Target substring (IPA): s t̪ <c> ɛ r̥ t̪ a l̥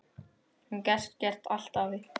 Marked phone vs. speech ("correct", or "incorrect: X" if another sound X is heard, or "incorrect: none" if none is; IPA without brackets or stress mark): correct